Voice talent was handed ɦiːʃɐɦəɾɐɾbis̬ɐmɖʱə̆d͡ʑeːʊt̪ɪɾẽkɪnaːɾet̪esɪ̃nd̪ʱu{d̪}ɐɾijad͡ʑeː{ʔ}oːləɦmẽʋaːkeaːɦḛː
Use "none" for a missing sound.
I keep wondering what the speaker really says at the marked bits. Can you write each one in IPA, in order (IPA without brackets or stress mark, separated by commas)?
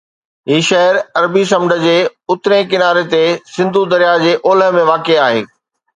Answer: d̪, ʔ